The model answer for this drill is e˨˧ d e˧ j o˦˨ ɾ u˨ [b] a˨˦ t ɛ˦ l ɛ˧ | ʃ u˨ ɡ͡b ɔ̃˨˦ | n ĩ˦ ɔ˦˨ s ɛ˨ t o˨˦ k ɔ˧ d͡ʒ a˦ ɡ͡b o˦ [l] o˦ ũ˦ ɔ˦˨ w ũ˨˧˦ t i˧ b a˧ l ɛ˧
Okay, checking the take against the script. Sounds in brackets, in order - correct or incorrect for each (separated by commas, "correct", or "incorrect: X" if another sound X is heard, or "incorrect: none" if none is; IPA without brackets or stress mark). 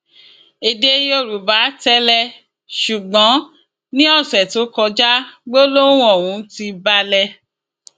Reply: correct, correct